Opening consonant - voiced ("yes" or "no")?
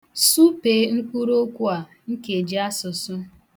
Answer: no